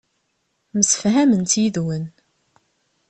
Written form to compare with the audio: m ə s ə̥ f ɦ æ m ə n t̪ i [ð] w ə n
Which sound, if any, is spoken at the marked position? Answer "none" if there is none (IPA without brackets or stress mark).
ð